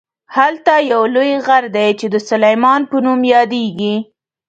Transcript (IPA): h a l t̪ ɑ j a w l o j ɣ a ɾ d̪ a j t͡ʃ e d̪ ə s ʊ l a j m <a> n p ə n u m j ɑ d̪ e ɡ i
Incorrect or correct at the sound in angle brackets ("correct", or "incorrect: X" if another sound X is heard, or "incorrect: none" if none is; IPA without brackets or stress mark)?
incorrect: ɑ